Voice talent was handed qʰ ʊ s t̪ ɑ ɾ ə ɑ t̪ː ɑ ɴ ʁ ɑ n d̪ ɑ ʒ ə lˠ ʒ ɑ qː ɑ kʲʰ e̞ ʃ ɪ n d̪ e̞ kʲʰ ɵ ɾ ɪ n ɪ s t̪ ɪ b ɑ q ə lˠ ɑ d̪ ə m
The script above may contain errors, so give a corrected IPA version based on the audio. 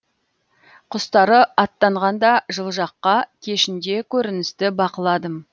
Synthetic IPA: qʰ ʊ s t̪ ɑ ɾ ə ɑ t̪ː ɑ ɴ ʁ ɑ n d̪ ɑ ʒ ə lˠ ʒ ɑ qː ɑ kʲʰ e̞ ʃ ɪ n d̪ e̞ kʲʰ ɵ ɾ ɪ n ɪ s t̪ ɪ b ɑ q ə lˠ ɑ d̪ ə m